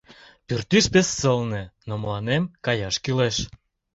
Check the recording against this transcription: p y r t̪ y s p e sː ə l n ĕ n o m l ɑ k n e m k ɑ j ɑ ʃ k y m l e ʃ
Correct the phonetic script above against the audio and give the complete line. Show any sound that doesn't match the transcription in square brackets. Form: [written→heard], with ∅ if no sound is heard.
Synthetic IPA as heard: p y r t̪ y [s→ʃ] p e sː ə l n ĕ n o m l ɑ [k→∅] n e m k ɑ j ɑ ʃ k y [m→∅] l e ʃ